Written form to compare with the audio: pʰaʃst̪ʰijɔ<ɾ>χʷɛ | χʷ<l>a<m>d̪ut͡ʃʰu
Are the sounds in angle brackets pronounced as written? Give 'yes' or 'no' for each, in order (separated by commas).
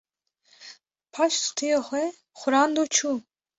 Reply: no, no, no